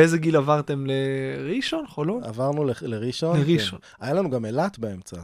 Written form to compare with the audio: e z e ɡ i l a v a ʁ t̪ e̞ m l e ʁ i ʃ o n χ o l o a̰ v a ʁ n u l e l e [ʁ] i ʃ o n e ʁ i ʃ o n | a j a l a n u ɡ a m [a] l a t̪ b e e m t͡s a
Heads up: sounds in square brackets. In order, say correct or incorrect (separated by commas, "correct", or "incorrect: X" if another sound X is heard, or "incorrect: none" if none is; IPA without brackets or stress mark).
correct, incorrect: e